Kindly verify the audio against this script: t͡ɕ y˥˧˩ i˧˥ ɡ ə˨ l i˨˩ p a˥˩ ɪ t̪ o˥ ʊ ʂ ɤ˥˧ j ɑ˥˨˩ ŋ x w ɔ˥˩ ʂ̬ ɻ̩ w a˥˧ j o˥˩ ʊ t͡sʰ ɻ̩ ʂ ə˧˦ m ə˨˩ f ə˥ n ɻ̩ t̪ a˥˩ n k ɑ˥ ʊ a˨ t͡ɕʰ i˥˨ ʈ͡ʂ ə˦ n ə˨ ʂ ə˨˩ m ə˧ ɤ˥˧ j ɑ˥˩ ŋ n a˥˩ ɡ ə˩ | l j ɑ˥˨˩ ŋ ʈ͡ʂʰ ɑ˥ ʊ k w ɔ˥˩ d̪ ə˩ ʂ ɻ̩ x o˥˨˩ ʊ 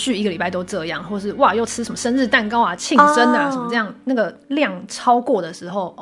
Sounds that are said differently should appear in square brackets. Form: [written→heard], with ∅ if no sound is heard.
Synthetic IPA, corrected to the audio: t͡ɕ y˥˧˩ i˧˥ ɡ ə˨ l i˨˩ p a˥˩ ɪ t̪ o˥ ʊ [ʂ→ʈ͡ʂ] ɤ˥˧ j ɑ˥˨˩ ŋ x w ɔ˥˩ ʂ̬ ɻ̩ w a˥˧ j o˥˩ ʊ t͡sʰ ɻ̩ ʂ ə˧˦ m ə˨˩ [f→ʂ] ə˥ n ɻ̩ t̪ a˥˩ n k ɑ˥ ʊ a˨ t͡ɕʰ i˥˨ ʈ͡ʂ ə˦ n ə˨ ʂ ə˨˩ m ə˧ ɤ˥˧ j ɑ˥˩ ŋ n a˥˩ ɡ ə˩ | l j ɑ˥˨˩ ŋ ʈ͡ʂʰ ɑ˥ ʊ k w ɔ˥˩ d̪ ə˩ ʂ ɻ̩ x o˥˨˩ ʊ